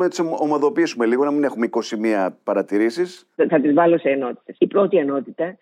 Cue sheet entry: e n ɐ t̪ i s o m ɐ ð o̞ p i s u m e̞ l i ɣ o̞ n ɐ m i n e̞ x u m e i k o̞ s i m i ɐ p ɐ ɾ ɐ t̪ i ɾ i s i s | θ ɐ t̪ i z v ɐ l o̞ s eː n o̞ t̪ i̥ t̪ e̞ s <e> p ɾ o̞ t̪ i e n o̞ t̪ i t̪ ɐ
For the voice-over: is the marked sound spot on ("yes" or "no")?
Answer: no